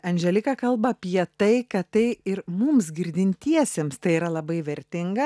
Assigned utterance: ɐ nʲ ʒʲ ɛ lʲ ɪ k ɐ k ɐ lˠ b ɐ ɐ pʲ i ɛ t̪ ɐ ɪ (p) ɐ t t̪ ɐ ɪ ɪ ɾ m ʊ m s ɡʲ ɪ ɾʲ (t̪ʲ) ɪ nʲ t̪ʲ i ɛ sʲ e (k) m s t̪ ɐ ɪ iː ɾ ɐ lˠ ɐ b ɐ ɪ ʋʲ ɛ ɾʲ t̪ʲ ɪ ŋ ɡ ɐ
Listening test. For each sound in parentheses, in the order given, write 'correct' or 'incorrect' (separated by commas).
incorrect, incorrect, incorrect